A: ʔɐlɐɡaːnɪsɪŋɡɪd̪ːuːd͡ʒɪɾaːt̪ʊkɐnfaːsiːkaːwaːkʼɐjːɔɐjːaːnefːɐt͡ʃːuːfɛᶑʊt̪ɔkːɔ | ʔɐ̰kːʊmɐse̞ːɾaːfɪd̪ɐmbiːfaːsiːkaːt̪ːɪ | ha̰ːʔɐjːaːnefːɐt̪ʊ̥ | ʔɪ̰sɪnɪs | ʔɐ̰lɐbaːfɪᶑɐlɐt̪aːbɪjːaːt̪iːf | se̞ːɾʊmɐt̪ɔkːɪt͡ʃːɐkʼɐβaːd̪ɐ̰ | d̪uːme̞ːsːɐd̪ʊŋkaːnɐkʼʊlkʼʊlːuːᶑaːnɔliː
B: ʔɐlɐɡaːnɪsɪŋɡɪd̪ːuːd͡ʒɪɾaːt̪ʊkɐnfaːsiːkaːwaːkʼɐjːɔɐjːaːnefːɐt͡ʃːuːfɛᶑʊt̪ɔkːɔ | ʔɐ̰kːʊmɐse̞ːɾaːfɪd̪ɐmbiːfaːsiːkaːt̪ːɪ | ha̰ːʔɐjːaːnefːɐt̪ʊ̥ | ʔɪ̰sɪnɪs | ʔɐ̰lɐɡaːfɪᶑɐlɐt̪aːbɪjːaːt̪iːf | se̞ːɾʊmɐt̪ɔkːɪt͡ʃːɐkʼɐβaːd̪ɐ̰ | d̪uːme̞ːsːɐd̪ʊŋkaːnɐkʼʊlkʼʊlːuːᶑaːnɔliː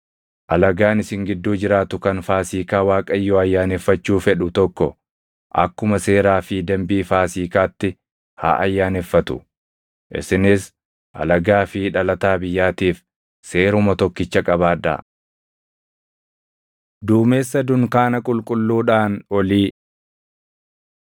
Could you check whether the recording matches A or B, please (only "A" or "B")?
B